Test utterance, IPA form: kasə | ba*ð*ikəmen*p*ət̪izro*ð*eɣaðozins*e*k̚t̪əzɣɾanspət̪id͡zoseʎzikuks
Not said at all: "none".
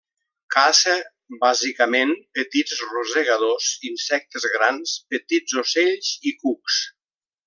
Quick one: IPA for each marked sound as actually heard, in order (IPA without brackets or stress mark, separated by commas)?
z, p, z, ɛ